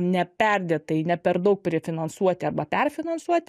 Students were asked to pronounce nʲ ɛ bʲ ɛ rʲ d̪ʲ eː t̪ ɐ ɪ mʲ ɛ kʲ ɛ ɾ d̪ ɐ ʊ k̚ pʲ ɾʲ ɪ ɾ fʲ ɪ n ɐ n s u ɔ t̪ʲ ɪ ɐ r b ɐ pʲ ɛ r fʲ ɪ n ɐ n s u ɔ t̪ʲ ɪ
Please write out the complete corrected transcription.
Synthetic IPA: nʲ ɛ pʲ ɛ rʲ d̪ʲ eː t̪ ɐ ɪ nʲ ɛ pʲ ɛ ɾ d̪ ɐ ʊ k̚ pʲ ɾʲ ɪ fʲ ɪ n ɐ n s u ɔ t̪ʲ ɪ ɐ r b ɐ pʲ ɛ r fʲ ɪ n ɐ n s u ɔ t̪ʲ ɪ